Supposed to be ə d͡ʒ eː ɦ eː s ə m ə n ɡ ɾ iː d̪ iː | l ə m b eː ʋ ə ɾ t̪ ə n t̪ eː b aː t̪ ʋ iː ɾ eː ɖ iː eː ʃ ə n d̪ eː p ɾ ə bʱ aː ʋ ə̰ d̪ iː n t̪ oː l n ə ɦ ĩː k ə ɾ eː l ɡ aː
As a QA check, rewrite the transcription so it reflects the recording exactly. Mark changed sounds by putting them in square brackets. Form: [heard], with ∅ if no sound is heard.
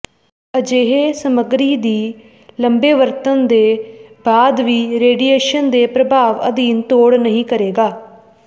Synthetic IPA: ə d͡ʒ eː ɦ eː s ə m ə [∅] ɡ ɾ iː d̪ iː | l ə m b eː ʋ ə ɾ t̪ ə n [d̪] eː b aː [d̪] ʋ iː ɾ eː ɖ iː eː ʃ ə n d̪ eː p ɾ ə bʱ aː ʋ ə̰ d̪ iː n t̪ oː [ɽ] n ə ɦ ĩː k ə ɾ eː [∅] ɡ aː

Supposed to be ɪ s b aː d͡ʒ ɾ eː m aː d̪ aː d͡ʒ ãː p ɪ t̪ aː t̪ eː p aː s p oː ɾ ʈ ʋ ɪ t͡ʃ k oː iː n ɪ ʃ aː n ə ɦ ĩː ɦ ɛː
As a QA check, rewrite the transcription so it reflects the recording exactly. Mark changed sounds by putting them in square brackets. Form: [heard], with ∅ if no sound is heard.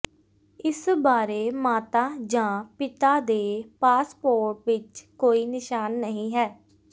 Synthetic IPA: ɪ s b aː [∅] ɾ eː m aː [t̪] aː d͡ʒ ãː p ɪ t̪ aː [d̪] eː p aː s p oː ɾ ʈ ʋ ɪ t͡ʃ k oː iː n ɪ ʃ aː [nː] ə ɦ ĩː ɦ ɛː

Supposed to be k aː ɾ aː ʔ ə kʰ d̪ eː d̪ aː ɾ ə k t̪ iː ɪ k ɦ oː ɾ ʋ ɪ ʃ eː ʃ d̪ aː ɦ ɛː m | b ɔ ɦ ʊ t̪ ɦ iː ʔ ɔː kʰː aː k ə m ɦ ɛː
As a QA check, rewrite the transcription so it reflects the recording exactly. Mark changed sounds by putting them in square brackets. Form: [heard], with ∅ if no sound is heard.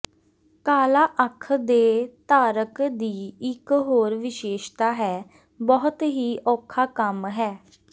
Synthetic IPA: k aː [l] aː ʔ ə kʰ d̪ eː [t̪] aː ɾ ə k [d̪] iː ɪ k ɦ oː ɾ ʋ ɪ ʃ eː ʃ [t̪] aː ɦ ɛː [∅] | b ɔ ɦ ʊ t̪ ɦ iː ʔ ɔː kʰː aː k ə m ɦ ɛː

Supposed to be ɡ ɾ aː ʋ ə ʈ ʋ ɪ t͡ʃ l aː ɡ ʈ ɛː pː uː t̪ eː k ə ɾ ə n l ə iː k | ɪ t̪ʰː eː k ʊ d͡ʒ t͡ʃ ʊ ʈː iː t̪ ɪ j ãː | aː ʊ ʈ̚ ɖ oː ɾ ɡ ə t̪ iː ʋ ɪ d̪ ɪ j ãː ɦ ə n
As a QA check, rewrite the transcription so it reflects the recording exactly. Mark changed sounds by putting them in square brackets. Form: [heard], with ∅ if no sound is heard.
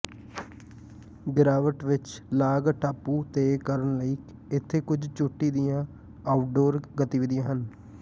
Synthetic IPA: ɡ ɾ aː ʋ ə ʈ ʋ ɪ t͡ʃ l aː ɡ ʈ [aː] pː uː t̪ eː k ə ɾ ə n l ə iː k | ɪ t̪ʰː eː k ʊ d͡ʒ t͡ʃ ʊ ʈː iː [d̪] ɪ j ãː | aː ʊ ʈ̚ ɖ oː ɾ ɡ ə t̪ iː ʋ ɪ d̪ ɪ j ãː ɦ ə n

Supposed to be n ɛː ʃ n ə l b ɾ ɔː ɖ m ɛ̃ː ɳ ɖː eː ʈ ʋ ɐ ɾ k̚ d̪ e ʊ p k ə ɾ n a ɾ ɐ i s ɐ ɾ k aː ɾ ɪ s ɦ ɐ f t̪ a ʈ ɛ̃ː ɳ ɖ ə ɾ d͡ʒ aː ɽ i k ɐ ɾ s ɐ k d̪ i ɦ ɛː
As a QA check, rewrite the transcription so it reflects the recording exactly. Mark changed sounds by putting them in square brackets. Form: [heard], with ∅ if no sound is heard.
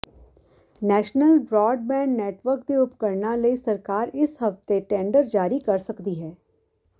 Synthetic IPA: n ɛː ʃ n ə l b ɾ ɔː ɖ m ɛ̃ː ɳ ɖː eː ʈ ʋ [ə] ɾ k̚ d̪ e ʊ p k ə ɾ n a [l] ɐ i s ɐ ɾ k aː ɾ ɪ s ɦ ɐ f t̪ [e] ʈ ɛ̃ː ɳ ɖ ə ɾ d͡ʒ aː [ɾ] i k ɐ ɾ s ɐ k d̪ i ɦ ɛː

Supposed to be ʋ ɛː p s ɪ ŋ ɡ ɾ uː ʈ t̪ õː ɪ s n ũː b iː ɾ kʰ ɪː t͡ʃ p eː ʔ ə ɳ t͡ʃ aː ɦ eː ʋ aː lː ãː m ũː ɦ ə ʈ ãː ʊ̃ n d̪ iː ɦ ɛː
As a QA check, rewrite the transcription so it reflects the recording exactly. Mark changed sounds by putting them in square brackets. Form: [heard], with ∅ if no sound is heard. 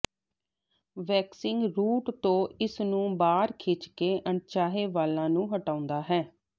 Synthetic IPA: ʋ ɛː [k] s ɪ ŋ ɡ ɾ uː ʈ t̪ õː ɪ s n ũː b [aː] ɾ kʰ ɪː t͡ʃ [k] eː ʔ ə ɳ t͡ʃ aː ɦ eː ʋ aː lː ãː [n] ũː ɦ ə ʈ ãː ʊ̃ n d̪ [aː] ɦ ɛː

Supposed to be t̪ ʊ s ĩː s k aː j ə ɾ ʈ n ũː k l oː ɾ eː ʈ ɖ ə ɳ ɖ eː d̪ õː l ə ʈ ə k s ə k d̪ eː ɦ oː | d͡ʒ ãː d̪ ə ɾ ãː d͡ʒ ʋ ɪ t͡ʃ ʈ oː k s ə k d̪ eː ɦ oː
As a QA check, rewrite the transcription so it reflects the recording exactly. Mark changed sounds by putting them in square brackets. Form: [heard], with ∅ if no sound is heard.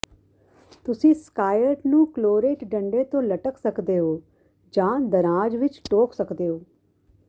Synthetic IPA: t̪ ʊ s ĩː s k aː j ə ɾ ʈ n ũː k l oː ɾ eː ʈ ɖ ə ɳ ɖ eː [t̪] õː l ə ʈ ə k s ə k d̪ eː ɦ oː | d͡ʒ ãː d̪ ə ɾ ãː d͡ʒ ʋ ɪ t͡ʃ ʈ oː k s ə k d̪ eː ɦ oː

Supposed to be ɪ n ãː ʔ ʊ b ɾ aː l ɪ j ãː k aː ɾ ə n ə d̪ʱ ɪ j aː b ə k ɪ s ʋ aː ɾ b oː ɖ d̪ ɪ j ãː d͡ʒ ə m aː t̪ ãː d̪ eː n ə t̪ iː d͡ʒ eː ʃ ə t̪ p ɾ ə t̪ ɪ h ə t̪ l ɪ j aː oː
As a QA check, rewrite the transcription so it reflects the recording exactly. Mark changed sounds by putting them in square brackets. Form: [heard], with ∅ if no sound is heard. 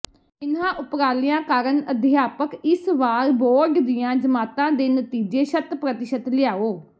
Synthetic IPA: ɪ n ãː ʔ ʊ [p] ɾ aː l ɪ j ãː k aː ɾ ə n ə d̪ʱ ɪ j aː [p] ə k ɪ s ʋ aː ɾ b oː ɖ d̪ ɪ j ãː d͡ʒ ə m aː t̪ ãː d̪ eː n ə t̪ iː d͡ʒ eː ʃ ə t̪ p ɾ ə t̪ ɪ [ʃ] ə t̪ l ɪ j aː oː

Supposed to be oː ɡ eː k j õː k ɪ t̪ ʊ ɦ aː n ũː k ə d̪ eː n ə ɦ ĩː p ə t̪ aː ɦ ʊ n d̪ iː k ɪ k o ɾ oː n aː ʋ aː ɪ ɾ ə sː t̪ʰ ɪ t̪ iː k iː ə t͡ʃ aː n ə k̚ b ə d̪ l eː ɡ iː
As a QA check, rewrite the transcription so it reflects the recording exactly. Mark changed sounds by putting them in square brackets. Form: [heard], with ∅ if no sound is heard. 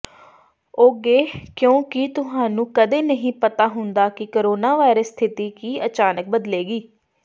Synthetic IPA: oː ɡ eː k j õː k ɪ t̪ ʊ ɦ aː n ũː k ə d̪ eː n ə ɦ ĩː p ə t̪ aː ɦ ʊ n d̪ [aː] k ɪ k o ɾ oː n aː ʋ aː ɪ ɾ ə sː t̪ʰ ɪ t̪ iː k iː ə t͡ʃ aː n ə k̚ b ə d̪ l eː ɡ iː

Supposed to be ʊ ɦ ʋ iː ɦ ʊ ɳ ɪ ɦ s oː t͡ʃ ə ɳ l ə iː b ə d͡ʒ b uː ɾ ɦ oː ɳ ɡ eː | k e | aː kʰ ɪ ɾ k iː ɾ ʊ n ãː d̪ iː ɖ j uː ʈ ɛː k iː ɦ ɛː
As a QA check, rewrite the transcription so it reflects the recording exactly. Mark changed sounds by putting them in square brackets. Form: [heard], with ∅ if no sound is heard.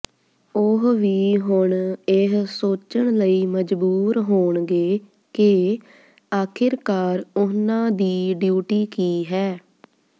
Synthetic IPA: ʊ ɦ ʋ iː ɦ ʊ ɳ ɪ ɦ s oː t͡ʃ ə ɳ l ə iː [m] ə d͡ʒ b uː ɾ ɦ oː ɳ ɡ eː | k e | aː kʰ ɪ ɾ k [aː] ɾ ʊ n ãː d̪ iː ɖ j uː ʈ [iː] k iː ɦ ɛː

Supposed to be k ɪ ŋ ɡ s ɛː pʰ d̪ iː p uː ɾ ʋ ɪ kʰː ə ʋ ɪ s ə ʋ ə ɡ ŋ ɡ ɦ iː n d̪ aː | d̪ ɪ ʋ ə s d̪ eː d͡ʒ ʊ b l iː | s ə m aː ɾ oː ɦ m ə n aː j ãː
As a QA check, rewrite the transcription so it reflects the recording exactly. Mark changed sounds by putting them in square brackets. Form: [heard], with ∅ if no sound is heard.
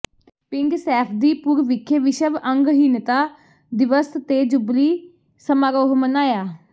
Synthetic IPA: [p] ɪ ŋ ɡ s ɛː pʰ d̪ iː p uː ɾ ʋ ɪ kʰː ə ʋ ɪ [ʃ] ə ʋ ə [∅] ŋ ɡ ɦ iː n [t̪] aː | d̪ ɪ ʋ ə s [t̪] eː d͡ʒ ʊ b l iː | s ə m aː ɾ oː ɦ m ə n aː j [aː]

